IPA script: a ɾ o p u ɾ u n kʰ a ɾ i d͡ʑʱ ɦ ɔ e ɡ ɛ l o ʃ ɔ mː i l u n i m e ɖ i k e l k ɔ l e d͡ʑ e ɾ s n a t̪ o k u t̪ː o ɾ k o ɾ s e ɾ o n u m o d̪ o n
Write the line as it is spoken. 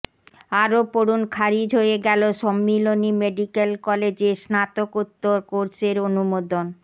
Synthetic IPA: a ɾ o p o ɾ u n kʰ a ɾ i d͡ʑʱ ɦ o e ɡ ɛ l o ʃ ɔ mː i l o n i m e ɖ i k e l k ɔ l e d͡ʑ e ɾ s n a t̪ o k u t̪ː o ɾ k o ɾ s e ɾ o n u m o d̪ o n